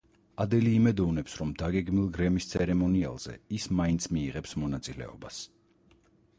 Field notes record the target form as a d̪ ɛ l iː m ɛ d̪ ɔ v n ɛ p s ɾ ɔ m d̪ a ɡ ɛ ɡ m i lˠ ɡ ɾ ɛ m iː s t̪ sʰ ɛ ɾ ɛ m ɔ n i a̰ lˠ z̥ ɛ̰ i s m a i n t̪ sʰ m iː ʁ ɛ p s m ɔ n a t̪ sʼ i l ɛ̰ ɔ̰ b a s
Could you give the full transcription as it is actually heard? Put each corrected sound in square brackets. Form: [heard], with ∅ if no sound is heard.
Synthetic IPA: a d̪ ɛ l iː m ɛ d̪ ɔ v n ɛ p s ɾ ɔ m d̪ a ɡ ɛ ɡ m i lˠ ɡ ɾ ɛ m [i] s t̪ sʰ ɛ ɾ ɛ m ɔ n i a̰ lˠ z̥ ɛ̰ i s m a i n t̪ sʰ m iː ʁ ɛ p s m ɔ n a t̪ sʼ i l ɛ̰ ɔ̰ b a s